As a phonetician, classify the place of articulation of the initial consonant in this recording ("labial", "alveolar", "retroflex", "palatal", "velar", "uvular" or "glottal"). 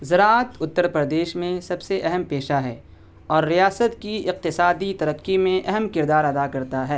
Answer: alveolar